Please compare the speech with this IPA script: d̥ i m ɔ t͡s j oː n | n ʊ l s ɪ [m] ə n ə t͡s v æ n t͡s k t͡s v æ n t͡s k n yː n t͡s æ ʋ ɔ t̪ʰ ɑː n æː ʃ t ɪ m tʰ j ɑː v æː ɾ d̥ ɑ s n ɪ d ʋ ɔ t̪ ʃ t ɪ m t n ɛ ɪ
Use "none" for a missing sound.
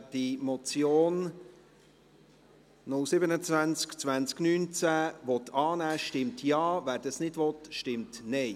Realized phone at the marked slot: b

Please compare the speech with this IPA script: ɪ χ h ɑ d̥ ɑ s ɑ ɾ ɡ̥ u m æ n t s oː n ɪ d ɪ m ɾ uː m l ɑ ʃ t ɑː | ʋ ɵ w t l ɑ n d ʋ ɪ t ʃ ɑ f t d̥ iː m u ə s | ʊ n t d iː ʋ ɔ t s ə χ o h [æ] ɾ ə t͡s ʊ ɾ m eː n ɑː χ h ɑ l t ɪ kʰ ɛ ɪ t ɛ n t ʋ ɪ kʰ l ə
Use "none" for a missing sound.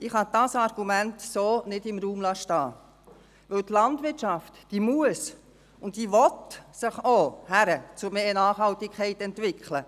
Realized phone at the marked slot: æ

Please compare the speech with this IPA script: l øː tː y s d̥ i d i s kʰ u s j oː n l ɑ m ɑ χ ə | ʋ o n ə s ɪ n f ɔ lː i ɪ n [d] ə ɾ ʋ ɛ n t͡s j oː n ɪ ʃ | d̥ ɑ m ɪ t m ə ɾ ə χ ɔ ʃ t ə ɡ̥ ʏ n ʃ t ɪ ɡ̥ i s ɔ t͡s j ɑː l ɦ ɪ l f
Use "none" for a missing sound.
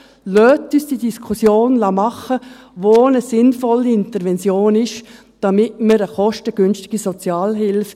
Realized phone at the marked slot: t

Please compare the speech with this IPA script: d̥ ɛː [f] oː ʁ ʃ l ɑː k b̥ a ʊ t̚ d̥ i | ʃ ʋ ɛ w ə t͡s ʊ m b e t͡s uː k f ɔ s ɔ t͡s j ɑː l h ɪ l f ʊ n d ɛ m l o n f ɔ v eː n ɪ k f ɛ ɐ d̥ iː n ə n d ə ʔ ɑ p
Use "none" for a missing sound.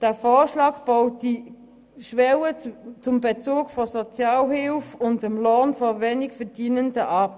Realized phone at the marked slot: f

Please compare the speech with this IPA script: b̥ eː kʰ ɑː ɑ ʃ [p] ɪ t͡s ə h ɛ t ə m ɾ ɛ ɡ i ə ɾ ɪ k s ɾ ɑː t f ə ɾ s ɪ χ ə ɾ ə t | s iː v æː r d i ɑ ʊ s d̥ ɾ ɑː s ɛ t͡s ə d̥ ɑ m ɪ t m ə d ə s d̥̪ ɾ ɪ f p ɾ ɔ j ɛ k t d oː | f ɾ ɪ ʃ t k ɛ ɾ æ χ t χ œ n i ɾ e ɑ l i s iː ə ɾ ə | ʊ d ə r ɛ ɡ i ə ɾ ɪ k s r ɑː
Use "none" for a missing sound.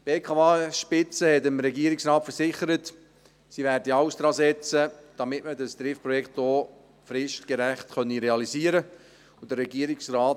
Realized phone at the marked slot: p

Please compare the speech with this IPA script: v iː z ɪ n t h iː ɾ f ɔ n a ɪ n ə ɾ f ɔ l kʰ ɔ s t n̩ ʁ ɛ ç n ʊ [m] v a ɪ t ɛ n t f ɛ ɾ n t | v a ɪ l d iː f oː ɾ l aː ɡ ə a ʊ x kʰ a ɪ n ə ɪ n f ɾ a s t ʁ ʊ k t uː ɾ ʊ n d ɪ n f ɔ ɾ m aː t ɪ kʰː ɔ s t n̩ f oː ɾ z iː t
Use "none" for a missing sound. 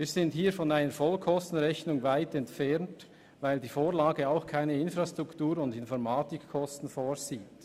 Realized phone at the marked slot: ŋ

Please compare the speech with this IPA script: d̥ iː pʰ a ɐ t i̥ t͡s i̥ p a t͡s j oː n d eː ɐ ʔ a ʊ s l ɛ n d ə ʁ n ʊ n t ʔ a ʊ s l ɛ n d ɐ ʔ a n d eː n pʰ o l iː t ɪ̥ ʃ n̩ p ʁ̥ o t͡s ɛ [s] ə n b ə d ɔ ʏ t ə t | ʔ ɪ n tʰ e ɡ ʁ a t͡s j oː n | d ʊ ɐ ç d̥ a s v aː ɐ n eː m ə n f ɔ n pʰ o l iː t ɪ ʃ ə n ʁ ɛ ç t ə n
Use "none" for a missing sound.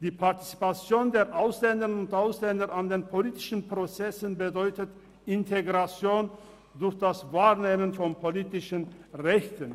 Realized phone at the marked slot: s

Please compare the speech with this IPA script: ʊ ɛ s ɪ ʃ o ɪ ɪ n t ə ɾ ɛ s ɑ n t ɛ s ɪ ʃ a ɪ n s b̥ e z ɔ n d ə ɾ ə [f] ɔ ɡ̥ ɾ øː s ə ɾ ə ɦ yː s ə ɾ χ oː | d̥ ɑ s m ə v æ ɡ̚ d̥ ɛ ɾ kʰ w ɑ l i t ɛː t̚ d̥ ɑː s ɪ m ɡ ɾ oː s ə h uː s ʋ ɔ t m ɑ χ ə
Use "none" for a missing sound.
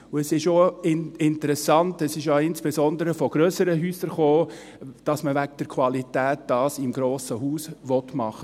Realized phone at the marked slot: f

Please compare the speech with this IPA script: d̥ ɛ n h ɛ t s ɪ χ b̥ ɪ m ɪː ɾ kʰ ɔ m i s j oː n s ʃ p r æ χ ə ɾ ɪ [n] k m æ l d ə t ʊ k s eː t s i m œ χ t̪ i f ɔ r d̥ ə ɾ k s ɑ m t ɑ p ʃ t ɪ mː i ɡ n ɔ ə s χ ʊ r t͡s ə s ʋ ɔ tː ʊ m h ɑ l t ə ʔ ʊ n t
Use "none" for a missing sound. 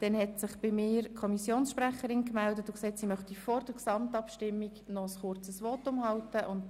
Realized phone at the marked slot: n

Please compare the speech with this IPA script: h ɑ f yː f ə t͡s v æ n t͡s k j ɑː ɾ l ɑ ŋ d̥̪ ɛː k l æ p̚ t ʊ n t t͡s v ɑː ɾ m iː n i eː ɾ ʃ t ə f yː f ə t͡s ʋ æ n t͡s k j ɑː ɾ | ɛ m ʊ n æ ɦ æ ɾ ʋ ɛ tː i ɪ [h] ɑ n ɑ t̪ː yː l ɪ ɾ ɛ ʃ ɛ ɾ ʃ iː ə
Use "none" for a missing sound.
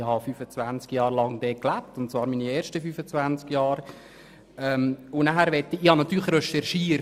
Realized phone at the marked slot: h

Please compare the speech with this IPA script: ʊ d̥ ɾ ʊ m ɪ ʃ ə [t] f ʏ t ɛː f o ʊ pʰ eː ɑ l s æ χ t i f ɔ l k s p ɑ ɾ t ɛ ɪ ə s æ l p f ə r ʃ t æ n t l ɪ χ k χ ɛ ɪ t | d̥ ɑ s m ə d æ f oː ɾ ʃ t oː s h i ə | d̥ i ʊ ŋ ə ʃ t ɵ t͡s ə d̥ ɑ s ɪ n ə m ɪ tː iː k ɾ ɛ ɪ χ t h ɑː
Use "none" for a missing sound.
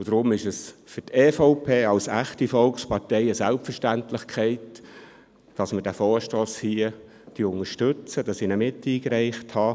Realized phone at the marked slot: s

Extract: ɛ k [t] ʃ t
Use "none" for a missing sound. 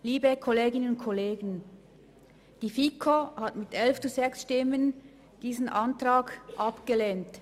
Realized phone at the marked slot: s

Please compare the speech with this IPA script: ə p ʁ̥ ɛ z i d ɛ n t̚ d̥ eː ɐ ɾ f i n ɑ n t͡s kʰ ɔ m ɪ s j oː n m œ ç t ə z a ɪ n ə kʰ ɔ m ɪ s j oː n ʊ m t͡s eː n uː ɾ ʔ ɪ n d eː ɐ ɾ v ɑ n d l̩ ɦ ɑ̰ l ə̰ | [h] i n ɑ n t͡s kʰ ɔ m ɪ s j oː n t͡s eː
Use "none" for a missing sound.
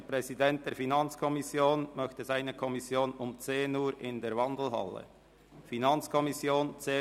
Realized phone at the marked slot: f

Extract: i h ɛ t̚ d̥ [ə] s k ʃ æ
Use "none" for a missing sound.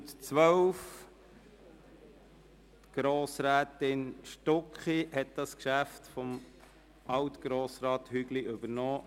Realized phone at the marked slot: ɑ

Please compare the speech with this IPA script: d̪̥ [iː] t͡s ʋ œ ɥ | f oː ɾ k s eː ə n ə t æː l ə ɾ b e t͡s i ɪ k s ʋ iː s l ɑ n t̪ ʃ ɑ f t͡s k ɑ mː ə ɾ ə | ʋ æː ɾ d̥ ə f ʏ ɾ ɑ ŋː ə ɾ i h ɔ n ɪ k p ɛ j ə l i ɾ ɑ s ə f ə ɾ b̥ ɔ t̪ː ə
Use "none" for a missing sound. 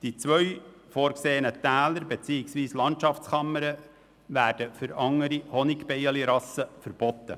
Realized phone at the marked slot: i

